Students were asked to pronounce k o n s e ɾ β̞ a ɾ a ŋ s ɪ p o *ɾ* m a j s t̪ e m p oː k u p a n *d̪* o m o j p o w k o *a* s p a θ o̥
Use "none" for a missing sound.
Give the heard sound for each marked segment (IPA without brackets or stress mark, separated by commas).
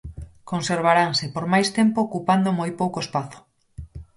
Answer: ɾ, d̪, e